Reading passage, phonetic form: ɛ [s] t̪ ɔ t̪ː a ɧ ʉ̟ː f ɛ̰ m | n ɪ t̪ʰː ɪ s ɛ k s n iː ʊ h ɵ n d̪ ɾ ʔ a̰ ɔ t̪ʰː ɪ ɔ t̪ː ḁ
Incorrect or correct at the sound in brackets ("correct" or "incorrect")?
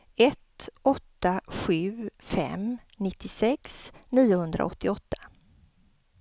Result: incorrect